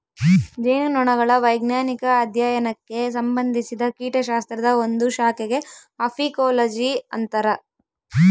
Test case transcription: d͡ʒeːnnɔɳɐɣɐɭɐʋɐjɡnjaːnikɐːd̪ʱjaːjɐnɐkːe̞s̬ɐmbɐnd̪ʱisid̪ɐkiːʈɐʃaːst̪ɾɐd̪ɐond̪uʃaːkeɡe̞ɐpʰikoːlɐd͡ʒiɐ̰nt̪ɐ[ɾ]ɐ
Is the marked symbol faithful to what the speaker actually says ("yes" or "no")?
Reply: yes